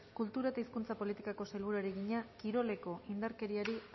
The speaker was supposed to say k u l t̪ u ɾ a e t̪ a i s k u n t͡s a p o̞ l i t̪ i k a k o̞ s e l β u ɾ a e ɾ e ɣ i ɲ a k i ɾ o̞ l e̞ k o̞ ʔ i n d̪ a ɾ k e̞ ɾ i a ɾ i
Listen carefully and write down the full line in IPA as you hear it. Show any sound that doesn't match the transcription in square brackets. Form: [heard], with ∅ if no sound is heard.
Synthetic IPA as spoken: k u l t̪ u ɾ a e t̪ a i s k u n t͡s a p o̞ l i t̪ i k a k o̞ s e l β u ɾ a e ɾ e ɣ i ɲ a k i ɾ o̞ l e̞ k o̞ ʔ i n d̪ a ɾ k e̞ ɾ i a ɾ i